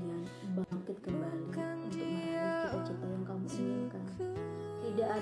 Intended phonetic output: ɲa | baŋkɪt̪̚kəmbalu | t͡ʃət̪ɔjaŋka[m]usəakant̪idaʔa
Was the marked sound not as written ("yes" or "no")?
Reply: no